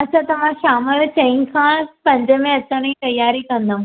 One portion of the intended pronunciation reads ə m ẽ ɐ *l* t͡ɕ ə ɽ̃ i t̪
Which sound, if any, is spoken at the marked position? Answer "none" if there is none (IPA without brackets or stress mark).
none